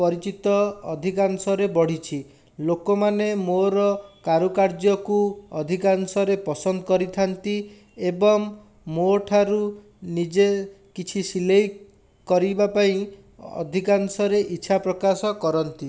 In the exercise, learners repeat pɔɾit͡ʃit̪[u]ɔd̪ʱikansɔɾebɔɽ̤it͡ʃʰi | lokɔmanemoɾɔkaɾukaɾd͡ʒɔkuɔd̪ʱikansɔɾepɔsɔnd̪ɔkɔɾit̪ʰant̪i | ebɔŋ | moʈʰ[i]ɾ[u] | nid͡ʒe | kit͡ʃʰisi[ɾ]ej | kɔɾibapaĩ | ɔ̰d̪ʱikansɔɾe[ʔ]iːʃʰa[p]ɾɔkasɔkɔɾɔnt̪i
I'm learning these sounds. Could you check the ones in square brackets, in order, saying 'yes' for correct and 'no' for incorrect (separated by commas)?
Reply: no, no, yes, no, yes, yes